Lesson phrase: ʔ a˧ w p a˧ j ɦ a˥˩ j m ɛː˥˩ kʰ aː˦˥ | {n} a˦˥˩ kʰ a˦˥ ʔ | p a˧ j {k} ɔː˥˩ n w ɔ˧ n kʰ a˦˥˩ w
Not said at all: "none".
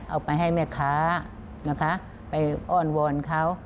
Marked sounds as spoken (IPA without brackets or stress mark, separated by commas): n, ʔ